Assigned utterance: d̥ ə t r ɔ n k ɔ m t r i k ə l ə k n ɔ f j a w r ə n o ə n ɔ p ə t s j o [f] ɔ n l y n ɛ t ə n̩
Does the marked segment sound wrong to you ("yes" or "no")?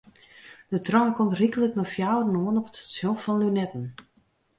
no